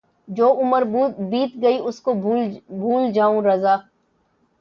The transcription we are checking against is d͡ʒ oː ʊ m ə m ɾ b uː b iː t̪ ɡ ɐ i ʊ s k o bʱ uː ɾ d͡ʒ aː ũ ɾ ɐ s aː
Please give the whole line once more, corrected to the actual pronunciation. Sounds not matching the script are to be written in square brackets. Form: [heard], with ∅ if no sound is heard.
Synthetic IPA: d͡ʒ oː ʊ m ə [∅] ɾ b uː b iː t̪ ɡ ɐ i ʊ s k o bʱ uː [l] d͡ʒ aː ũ ɾ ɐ [z] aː